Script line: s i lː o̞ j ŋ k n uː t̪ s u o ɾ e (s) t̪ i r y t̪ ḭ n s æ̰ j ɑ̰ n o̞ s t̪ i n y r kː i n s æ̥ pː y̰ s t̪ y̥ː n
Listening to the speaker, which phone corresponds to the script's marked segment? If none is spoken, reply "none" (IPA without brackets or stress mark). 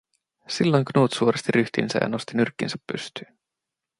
s